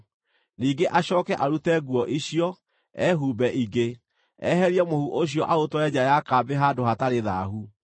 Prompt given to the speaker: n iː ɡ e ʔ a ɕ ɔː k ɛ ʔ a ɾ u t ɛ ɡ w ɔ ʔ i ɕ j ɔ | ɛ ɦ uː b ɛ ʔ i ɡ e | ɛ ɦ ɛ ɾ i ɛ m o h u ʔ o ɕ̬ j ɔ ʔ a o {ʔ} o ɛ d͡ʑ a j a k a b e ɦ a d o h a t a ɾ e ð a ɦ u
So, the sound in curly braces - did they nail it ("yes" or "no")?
no